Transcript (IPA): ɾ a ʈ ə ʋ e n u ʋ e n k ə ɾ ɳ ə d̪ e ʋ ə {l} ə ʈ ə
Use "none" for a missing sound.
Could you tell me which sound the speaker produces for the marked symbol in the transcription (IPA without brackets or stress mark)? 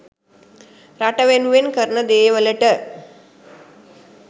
l